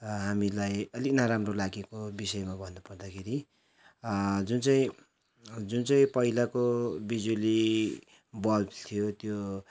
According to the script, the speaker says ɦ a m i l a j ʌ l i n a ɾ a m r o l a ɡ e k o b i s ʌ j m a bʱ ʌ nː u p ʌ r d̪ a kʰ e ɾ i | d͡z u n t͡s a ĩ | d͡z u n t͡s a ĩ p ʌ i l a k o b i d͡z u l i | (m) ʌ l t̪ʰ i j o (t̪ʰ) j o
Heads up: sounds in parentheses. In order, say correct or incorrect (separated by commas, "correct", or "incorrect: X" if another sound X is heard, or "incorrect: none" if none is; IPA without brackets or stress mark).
incorrect: b, incorrect: t̪